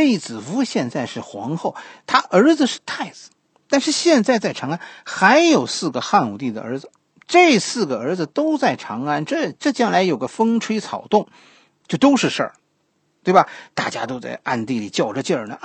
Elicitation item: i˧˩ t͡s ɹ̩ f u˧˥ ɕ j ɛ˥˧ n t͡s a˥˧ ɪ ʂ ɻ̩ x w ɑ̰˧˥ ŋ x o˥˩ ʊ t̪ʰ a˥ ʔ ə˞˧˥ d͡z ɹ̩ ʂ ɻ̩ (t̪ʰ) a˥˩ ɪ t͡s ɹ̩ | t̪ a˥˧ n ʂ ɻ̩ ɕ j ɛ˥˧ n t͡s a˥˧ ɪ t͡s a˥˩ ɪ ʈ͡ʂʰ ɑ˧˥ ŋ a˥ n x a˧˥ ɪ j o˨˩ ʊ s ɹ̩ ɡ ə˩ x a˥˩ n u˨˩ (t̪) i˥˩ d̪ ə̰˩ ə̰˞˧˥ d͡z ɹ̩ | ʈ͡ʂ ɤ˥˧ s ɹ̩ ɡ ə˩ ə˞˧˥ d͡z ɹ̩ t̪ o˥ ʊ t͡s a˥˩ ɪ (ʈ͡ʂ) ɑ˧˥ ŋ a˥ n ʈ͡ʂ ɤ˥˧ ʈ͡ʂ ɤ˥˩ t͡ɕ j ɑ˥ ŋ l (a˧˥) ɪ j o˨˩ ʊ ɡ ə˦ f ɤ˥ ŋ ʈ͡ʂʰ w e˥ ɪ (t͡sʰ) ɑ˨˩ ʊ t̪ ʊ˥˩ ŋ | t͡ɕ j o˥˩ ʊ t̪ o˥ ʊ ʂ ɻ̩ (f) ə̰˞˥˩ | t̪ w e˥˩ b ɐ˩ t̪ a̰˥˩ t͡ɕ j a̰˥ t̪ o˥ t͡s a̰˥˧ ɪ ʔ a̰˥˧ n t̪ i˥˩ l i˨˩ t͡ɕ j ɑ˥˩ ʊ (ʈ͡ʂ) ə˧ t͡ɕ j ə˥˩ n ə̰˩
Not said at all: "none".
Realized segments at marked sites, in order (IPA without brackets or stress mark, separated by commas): t̪ʰ, t̪, ʈ͡ʂʰ, a˧˥, t͡sʰ, ʂ, ʈ͡ʂ